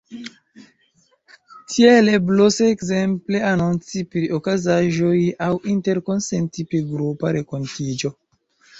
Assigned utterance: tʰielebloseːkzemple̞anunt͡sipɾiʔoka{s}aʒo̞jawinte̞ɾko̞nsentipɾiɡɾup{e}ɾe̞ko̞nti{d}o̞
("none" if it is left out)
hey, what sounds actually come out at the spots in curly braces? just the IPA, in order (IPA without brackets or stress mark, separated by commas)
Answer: z, a, d͡ʒ